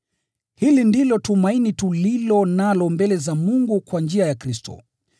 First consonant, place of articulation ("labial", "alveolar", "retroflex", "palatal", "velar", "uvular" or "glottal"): glottal